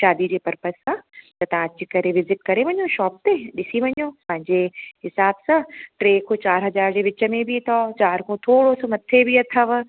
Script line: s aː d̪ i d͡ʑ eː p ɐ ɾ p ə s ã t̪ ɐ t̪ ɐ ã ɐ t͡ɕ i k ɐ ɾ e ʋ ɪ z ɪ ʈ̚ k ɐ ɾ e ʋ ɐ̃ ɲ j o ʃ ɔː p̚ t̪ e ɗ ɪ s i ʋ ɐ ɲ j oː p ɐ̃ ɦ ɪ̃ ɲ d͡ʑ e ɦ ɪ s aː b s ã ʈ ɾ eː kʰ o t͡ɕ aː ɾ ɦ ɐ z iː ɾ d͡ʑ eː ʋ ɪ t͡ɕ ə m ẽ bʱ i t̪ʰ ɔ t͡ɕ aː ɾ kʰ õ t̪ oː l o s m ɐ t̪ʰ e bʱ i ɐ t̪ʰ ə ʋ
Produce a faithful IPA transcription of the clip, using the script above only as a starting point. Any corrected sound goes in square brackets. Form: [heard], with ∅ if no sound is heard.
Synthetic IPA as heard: [ʃ] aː d̪ i d͡ʑ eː p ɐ ɾ p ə s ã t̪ ɐ t̪ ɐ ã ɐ t͡ɕ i k ɐ ɾ e ʋ ɪ z ɪ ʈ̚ k ɐ ɾ e ʋ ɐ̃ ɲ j o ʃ ɔː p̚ t̪ e ɗ ɪ s i ʋ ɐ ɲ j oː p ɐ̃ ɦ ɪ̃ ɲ d͡ʑ e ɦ ɪ s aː b s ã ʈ ɾ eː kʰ o t͡ɕ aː ɾ ɦ ɐ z [aː] ɾ d͡ʑ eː ʋ ɪ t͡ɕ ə m ẽ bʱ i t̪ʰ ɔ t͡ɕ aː ɾ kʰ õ [t̪ʰ] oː [ɽ] o s m ɐ t̪ʰ e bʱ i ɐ t̪ʰ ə ʋ

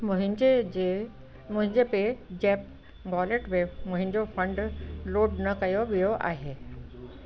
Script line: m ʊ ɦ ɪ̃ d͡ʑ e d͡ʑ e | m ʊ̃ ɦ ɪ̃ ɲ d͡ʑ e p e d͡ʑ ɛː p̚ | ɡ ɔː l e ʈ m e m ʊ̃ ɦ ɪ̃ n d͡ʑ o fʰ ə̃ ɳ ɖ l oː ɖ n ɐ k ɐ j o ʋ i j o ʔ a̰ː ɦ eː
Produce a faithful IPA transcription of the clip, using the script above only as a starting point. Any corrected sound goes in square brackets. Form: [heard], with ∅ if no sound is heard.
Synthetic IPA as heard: m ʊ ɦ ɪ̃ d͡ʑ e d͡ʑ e | m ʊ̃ ɦ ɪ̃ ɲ d͡ʑ e p e d͡ʑ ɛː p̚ | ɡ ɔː l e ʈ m e m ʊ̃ ɦ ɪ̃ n d͡ʑ o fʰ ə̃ ɳ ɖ l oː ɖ n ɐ k ɐ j o ʋ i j o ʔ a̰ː ɦ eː

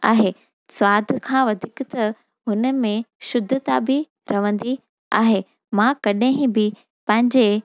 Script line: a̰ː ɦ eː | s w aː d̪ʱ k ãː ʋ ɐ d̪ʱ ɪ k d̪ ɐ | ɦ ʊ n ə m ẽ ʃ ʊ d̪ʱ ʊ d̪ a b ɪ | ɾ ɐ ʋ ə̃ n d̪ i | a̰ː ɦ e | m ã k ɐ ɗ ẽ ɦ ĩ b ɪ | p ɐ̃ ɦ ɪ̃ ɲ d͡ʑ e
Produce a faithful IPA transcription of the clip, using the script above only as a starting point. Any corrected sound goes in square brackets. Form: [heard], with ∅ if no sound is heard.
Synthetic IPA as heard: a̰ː ɦ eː | s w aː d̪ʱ [kʰ] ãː ʋ ɐ d̪ʱ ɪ k [t̪] ɐ | ɦ ʊ n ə m ẽ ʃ ʊ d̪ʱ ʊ [t̪] a b ɪ | ɾ ɐ ʋ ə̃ n d̪ i | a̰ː ɦ e | m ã k ɐ ɗ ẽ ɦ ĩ b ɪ | p ɐ̃ ɦ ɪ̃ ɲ d͡ʑ e

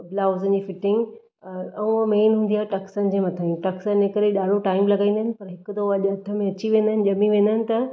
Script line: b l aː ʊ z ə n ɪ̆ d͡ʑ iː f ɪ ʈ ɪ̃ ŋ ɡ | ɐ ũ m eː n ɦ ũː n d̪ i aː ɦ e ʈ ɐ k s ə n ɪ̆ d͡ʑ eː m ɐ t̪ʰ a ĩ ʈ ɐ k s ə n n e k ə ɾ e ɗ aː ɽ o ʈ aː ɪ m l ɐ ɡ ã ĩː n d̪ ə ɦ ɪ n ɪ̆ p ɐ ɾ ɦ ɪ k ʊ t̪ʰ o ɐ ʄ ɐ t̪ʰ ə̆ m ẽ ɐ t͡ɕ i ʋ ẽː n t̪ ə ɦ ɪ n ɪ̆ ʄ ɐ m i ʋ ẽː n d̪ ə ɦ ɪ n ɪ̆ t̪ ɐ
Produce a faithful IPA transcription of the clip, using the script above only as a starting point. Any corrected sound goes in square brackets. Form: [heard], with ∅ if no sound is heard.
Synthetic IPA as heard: b l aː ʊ z ə n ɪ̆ d͡ʑ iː f ɪ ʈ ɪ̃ ŋ ɡ | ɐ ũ m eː n ɦ ũː n d̪ i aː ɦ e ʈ ɐ k s ə n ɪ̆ d͡ʑ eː m ɐ t̪ʰ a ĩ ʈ ɐ k s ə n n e k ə ɾ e ɗ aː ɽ o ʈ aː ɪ m l ɐ ɡ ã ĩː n d̪ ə ɦ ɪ n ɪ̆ p ɐ ɾ ɦ ɪ k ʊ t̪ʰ o ɐ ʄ ɐ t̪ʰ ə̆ m ẽ ɐ t͡ɕ i ʋ ẽː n [d̪] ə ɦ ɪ n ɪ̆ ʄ ɐ m i ʋ ẽː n d̪ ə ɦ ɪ n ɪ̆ t̪ ɐ

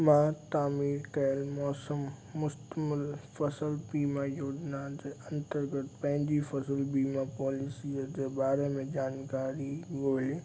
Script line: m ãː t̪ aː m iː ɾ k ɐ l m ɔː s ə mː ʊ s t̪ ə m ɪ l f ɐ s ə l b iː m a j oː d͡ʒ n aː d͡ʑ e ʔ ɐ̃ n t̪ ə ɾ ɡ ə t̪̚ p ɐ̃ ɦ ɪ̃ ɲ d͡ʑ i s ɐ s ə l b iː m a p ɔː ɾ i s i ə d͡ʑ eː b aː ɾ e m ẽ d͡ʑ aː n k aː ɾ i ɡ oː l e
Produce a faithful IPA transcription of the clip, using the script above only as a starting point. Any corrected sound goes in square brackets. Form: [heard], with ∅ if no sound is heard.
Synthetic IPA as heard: m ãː t̪ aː m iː ɾ k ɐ l m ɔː s ə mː ʊ s t̪ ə m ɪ l f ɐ s ə l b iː m a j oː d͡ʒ n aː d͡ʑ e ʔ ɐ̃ n t̪ ə ɾ ɡ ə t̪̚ p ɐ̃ ɦ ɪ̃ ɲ d͡ʑ i [f] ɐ s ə l b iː m a p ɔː [l] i s i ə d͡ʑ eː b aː ɾ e m ẽ d͡ʑ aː n k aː ɾ i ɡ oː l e

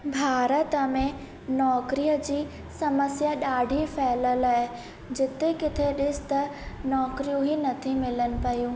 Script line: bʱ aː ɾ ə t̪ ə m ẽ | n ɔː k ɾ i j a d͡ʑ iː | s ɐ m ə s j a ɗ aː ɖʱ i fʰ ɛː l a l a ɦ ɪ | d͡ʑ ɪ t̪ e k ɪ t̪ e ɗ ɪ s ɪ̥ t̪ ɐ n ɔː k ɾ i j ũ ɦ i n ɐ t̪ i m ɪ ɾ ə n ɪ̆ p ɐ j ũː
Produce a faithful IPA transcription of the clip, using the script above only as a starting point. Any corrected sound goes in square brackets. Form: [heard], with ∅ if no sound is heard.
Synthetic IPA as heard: bʱ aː ɾ ə t̪ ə m ẽ | n ɔː k ɾ i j [ə] d͡ʑ iː | s ɐ m ə s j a ɗ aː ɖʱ i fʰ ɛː l [ə] l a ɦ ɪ | d͡ʑ ɪ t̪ e k ɪ [t̪ʰ] e ɗ ɪ s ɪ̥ t̪ ɐ n ɔː k ɾ i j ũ ɦ i n ɐ [t̪ʰ] i m ɪ [l] ə n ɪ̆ p ɐ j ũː

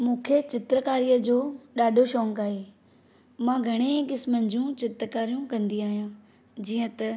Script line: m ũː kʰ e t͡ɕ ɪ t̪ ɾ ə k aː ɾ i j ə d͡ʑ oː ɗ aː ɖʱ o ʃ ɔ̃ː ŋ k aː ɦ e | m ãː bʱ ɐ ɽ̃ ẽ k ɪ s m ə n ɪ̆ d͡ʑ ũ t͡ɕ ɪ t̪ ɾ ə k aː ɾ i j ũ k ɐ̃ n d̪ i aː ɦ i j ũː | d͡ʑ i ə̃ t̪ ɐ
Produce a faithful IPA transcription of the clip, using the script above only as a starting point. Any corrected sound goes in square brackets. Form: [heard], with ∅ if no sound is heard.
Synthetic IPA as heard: m ũː kʰ e t͡ɕ ɪ t̪ ɾ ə k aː ɾ i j ə d͡ʑ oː ɗ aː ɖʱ o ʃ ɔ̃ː ŋ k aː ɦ e | m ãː [ɡʱ] ɐ ɽ̃ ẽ k ɪ s m ə n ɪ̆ d͡ʑ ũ t͡ɕ ɪ t̪ ɾ ə k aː ɾ i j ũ k ɐ̃ n d̪ i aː ɦ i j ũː | d͡ʑ [iː] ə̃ t̪ ɐ

